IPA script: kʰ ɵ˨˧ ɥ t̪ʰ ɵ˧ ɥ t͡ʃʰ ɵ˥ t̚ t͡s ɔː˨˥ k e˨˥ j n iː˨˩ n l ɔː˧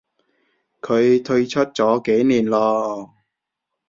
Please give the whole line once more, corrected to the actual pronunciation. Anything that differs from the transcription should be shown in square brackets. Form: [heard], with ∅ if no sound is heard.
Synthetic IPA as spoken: kʰ ɵ˨˧ ɥ t̪ʰ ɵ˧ ɥ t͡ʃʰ ɵ˥ t̚ t͡s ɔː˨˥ k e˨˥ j n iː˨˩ n l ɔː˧